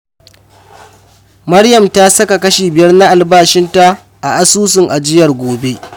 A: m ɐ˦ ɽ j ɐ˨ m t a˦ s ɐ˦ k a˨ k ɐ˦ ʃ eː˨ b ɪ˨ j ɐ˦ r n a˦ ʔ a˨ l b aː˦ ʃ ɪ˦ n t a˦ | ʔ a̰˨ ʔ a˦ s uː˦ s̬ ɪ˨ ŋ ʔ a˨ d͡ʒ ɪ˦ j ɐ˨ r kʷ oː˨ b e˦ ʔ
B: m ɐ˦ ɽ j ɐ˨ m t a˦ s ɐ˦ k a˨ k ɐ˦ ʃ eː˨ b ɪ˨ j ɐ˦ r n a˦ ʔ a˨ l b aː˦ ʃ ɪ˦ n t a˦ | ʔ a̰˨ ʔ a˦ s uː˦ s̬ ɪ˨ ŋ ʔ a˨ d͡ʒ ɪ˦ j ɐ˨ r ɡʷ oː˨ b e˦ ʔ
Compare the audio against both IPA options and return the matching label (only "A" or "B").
B